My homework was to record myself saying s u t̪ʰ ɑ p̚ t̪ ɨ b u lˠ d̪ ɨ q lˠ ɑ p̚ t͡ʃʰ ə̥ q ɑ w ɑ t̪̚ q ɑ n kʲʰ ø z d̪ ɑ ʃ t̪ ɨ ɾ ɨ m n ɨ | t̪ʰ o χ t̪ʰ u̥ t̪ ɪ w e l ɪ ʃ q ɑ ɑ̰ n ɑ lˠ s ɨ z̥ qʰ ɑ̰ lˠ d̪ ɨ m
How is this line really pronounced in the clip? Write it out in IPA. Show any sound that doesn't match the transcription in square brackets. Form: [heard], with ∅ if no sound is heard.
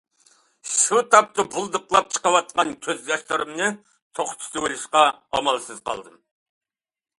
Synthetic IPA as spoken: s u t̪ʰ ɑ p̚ t̪ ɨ b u lˠ d̪ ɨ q lˠ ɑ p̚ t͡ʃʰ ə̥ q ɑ w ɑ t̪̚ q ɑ n kʲʰ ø z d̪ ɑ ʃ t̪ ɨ ɾ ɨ m n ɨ | t̪ʰ o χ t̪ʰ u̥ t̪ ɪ w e l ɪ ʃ q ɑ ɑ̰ [m] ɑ lˠ s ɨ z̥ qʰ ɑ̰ lˠ d̪ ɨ m